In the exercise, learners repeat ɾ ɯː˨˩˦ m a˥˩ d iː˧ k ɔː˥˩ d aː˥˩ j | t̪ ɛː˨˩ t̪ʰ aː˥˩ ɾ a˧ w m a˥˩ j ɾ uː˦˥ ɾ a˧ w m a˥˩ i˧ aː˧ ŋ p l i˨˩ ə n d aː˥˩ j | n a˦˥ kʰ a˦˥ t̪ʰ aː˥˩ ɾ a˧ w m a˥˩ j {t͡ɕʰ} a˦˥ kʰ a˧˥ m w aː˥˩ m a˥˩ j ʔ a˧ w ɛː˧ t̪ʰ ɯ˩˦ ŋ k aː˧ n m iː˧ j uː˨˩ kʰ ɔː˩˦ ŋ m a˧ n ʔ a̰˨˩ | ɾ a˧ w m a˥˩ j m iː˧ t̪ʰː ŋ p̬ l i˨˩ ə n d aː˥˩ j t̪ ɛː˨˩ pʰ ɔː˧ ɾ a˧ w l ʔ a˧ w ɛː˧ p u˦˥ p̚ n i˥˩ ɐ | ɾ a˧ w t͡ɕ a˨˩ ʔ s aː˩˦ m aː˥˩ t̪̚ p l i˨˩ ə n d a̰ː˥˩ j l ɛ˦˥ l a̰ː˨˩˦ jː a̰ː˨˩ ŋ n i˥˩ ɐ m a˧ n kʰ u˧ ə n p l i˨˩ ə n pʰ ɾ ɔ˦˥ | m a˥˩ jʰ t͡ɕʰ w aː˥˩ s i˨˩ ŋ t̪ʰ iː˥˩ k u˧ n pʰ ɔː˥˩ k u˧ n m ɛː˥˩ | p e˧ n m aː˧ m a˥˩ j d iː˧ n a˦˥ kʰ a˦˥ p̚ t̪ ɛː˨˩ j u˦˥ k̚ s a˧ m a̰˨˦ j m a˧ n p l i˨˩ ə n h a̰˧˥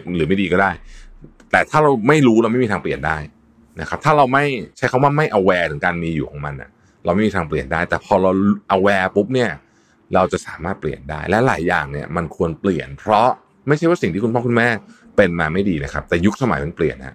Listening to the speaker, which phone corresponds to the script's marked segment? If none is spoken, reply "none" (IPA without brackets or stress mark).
t͡ɕʰ